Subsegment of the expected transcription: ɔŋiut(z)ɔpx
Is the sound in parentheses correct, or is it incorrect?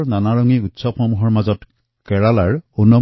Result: incorrect